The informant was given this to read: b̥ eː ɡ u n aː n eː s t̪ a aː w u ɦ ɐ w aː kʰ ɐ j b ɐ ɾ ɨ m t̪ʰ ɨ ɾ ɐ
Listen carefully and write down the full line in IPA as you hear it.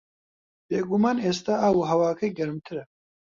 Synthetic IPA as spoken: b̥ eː ɡ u m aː n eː s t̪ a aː w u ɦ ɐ w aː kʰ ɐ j ɡ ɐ ɾ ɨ m t̪ʰ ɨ ɾ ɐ